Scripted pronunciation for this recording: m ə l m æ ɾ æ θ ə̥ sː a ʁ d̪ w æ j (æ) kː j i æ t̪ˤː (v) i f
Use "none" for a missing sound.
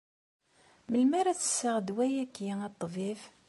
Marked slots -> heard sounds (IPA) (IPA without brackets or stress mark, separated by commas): æ, v